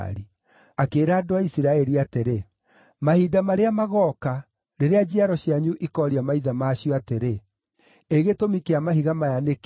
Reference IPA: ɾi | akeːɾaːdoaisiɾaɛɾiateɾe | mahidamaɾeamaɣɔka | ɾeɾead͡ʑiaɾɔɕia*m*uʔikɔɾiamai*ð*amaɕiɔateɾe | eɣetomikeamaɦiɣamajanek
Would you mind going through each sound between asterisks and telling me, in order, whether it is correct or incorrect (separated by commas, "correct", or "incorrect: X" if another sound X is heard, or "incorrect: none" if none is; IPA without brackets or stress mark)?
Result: incorrect: ɲ, correct